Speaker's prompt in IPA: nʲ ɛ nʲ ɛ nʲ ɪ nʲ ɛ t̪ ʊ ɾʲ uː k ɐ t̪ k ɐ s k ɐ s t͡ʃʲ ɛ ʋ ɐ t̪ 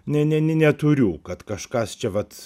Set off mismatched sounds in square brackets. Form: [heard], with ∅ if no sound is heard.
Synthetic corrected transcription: nʲ ɛ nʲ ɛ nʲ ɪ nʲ ɛ t̪ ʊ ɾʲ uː k ɐ t̪ k ɐ [ʃ] k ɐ s t͡ʃʲ ɛ ʋ ɐ t̪